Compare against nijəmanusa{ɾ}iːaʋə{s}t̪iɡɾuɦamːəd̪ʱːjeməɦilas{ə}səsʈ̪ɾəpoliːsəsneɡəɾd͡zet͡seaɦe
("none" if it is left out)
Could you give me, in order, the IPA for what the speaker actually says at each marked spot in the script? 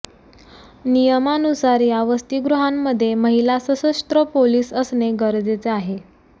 ɾ, s, ə

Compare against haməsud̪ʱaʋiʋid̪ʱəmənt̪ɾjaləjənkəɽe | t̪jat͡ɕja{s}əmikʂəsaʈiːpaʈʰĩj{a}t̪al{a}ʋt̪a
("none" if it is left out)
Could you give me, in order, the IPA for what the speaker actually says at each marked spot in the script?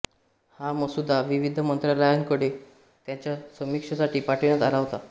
s, a, a

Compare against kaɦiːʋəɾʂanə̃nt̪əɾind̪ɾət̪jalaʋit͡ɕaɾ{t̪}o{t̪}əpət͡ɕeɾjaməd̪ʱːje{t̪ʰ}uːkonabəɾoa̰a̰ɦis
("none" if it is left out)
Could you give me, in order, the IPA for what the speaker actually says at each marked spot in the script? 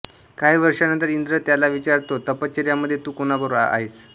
t̪, t̪, t̪

